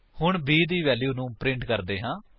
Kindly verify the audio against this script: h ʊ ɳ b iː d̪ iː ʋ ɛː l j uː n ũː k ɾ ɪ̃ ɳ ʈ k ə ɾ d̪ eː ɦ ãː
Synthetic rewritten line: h ʊ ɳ b iː d̪ iː ʋ ɛː l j uː n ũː p ɾ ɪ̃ ɳ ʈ k ə ɾ d̪ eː ɦ ãː